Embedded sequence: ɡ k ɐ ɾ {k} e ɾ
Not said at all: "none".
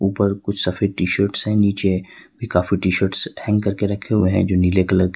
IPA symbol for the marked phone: k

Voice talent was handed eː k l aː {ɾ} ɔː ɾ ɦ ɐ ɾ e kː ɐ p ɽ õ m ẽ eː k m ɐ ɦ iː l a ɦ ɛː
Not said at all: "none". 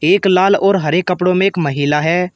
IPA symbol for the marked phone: l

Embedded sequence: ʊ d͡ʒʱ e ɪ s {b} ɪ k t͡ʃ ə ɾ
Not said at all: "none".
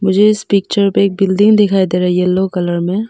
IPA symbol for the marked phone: p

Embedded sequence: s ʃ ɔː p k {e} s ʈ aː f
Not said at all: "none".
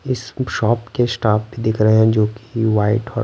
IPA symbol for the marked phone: e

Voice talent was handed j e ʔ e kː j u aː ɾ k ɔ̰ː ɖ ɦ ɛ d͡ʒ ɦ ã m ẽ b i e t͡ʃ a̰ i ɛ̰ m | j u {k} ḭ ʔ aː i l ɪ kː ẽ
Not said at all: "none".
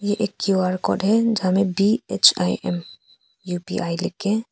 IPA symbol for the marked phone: p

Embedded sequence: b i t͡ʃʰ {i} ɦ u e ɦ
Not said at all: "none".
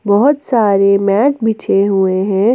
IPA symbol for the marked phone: e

